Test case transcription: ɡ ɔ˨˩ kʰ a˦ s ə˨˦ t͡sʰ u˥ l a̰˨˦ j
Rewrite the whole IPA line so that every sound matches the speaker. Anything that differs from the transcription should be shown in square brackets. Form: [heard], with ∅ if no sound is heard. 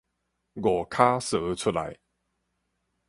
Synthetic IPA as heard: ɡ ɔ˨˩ kʰ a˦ s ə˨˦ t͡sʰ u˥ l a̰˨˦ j